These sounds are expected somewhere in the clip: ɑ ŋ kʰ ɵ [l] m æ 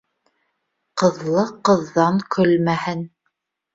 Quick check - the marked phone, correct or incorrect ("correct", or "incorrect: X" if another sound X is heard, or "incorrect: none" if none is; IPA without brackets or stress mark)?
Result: correct